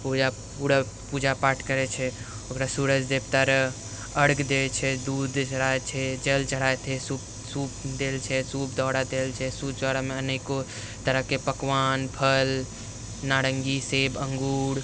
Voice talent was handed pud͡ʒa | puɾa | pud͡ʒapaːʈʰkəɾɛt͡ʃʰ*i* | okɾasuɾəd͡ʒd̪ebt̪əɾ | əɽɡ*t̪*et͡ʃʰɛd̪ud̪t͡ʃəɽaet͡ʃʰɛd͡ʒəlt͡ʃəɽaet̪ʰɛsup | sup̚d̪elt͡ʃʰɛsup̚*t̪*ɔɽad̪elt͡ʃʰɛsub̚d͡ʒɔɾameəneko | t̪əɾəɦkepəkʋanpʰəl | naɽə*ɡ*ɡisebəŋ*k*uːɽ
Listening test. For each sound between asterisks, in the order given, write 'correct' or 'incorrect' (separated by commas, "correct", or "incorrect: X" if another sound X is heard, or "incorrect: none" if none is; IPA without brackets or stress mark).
incorrect: ɛ, incorrect: d̪, incorrect: d̪, incorrect: ŋ, incorrect: ɡ